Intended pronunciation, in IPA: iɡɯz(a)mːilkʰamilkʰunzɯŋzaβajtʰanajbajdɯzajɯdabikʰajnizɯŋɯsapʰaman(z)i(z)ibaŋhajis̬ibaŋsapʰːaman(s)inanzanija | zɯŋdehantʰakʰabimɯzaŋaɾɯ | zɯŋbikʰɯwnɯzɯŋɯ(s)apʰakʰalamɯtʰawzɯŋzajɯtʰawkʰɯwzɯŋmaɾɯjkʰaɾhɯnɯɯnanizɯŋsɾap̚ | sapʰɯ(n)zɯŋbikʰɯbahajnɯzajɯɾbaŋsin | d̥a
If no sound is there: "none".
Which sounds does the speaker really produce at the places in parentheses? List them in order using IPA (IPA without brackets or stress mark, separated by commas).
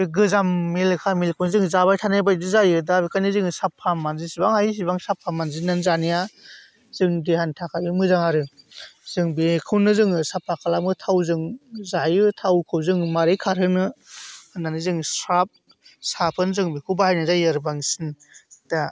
a, z, s, z, s, n